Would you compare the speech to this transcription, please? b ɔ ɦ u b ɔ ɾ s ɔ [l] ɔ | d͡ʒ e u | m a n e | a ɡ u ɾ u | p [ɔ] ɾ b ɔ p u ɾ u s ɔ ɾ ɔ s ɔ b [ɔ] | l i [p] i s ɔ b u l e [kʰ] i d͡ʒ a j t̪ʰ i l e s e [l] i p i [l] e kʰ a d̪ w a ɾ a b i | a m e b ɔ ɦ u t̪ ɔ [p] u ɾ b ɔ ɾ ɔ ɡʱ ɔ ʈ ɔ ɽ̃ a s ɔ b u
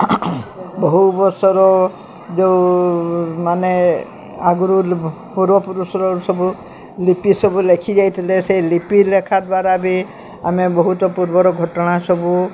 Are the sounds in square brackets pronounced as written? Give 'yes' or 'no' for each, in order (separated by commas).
no, no, no, yes, yes, yes, yes, yes